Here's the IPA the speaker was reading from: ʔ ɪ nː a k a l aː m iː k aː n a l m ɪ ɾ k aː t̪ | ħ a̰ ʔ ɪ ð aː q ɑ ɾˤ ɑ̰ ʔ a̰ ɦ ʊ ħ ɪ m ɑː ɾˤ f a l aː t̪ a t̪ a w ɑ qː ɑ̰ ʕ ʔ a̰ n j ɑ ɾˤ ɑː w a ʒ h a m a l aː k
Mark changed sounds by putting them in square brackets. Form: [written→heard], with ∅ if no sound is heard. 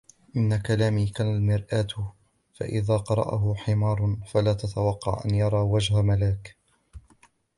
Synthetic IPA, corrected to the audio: ʔ ɪ nː a k a l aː m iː k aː n a l m ɪ ɾ [k→ʔ] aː t̪ | [ħ→f] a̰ ʔ ɪ ð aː q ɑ ɾˤ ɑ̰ ʔ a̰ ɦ ʊ ħ ɪ m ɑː ɾˤ f a l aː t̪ a t̪ a w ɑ qː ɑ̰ ʕ ʔ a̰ n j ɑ ɾˤ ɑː w a [ʒ→d͡ʒ] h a m a l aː k

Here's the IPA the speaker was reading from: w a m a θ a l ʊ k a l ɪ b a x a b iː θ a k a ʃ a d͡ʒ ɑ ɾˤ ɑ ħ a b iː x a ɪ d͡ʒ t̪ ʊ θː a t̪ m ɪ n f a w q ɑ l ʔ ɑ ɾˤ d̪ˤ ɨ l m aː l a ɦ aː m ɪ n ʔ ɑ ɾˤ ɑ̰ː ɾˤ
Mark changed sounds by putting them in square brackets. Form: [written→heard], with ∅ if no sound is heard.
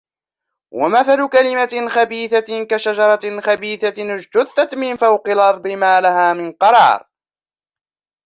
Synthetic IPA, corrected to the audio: w a m a θ a l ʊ k a l ɪ [b→m] a x a b iː θ a k a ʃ a d͡ʒ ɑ ɾˤ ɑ [ħ→x] a b iː [x→θ] a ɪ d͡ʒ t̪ ʊ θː a t̪ m ɪ n f a w q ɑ l ʔ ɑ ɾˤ d̪ˤ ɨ [l→∅] m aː l a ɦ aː m ɪ n [ʔ→q] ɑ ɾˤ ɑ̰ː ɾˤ

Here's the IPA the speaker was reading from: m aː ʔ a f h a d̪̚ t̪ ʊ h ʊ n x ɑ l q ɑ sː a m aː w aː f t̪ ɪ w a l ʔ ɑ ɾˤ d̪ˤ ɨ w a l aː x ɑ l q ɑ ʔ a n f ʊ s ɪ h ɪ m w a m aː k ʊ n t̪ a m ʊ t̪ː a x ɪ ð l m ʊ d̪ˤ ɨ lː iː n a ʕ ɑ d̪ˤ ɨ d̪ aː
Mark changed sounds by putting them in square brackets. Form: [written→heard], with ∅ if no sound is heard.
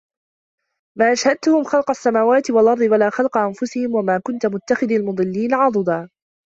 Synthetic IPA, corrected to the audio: m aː ʔ a [f→ʃ] h a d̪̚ t̪ ʊ h ʊ [n→m] x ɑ l q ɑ sː a m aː w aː [f→∅] t̪ ɪ w a l ʔ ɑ ɾˤ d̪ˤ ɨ w a l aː x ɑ l q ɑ ʔ a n f ʊ s ɪ h ɪ m w a m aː k ʊ n t̪ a m ʊ t̪ː a x ɪ ð l m ʊ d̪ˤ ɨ lː iː n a ʕ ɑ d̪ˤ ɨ d̪ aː

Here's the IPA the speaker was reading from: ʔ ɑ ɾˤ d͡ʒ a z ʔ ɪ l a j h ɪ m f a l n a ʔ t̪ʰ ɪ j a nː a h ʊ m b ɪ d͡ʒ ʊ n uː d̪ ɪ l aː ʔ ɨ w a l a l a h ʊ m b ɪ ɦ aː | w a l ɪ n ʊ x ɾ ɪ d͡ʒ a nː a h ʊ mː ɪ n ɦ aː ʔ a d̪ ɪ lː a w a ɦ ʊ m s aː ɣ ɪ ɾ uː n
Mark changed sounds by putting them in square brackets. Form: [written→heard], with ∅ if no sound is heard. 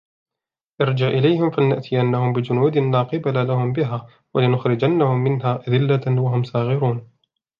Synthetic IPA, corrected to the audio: ʔ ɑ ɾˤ d͡ʒ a [z→ʕ] ʔ ɪ l a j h ɪ m f a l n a ʔ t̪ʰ ɪ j a nː a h ʊ m b ɪ d͡ʒ ʊ n uː d̪ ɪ l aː [ʔ→q] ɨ [w→b] a l a l a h ʊ m b ɪ ɦ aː | w a l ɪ n ʊ x ɾ ɪ d͡ʒ a nː a h ʊ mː ɪ n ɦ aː ʔ a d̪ ɪ lː a w a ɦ ʊ m s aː ɣ ɪ ɾ uː n

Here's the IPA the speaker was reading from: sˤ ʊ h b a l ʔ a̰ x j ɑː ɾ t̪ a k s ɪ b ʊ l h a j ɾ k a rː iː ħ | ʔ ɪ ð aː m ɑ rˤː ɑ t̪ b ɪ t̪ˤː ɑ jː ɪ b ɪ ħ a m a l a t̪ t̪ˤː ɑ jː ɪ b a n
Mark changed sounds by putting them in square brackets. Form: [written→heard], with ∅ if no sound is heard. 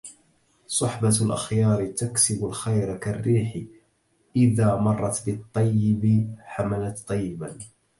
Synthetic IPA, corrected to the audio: sˤ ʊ [h→ħ] b a l ʔ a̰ x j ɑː ɾ t̪ a k s ɪ b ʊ l [h→x] a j ɾ k a rː iː ħ | ʔ ɪ ð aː m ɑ rˤː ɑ t̪ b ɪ t̪ˤː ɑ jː ɪ b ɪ ħ a m a l a t̪ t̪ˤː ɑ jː ɪ b a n

